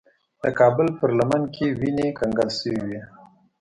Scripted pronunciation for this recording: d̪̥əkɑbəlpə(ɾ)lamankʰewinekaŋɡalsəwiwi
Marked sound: correct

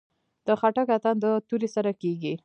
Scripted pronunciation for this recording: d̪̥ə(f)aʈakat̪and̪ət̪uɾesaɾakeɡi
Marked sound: incorrect: x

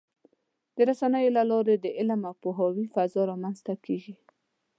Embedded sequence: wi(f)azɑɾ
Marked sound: correct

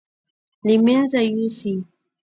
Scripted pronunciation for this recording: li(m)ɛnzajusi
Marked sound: correct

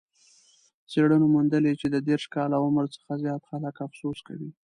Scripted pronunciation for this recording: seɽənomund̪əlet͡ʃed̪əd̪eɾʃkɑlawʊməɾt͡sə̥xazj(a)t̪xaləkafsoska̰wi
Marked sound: incorrect: ɑ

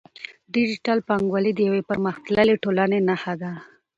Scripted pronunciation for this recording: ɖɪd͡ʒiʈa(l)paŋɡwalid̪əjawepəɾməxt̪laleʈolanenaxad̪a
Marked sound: correct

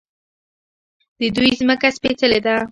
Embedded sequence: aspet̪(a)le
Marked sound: incorrect: ə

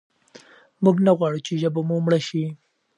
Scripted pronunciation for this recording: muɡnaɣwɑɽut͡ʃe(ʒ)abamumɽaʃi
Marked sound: correct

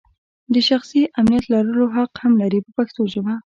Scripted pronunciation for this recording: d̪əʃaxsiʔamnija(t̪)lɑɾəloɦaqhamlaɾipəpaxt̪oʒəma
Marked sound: correct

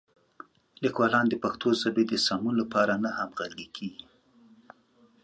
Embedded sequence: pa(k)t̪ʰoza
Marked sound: incorrect: x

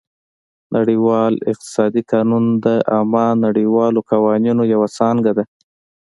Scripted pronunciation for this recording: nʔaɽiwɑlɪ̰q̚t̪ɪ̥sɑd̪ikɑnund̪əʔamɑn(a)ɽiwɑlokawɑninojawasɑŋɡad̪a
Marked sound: correct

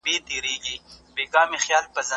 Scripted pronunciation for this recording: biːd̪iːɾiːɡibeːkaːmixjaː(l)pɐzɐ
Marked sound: correct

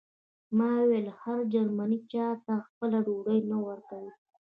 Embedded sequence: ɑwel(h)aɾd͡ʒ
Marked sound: correct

